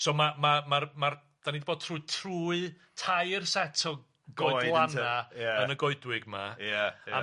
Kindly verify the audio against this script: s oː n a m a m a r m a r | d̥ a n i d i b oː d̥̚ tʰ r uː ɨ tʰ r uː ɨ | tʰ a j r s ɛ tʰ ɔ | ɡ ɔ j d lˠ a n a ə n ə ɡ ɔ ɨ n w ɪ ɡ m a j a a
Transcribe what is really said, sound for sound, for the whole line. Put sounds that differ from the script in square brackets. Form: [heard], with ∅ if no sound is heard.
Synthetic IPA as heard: s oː [m] a m a m a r m a r | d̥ a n i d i b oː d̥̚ tʰ r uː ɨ tʰ r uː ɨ | tʰ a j r s ɛ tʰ ɔ | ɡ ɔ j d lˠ a n a ə n ə ɡ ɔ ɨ [d] w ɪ ɡ m a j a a